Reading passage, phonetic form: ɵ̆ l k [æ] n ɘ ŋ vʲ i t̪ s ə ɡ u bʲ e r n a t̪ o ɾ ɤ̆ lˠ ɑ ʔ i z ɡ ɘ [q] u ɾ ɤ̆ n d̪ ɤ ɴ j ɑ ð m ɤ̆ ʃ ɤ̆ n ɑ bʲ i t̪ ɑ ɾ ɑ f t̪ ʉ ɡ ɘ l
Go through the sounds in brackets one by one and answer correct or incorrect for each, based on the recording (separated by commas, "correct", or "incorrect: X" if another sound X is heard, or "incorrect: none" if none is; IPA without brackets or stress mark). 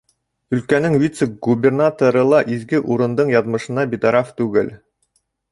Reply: correct, incorrect: ʔ